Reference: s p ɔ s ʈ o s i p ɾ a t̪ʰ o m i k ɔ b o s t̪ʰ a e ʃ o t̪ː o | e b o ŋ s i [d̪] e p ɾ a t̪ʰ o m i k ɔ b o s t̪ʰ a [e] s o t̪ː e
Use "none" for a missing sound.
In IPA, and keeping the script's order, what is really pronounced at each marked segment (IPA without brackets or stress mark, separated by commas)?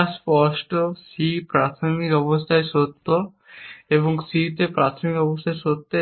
t̪, e